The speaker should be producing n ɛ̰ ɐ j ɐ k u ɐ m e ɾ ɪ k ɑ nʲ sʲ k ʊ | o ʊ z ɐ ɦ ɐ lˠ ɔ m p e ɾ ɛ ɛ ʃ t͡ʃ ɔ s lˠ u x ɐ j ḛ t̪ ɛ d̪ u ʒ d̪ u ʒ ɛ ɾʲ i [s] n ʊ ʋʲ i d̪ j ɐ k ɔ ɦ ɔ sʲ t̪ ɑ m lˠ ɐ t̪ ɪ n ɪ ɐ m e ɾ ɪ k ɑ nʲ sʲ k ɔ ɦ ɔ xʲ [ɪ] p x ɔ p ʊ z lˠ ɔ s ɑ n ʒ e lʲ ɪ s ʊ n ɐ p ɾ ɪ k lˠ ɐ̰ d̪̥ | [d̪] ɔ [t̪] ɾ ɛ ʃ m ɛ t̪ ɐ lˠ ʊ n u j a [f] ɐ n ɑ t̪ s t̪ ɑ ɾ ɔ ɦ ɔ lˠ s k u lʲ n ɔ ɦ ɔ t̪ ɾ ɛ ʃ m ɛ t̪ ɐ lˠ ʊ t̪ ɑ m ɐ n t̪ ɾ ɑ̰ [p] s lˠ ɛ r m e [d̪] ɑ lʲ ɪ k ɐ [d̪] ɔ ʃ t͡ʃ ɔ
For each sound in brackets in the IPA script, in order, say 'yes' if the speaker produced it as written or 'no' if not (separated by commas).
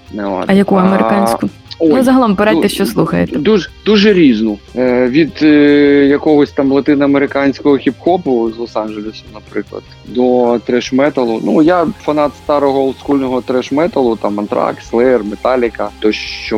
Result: no, no, yes, yes, yes, no, no, no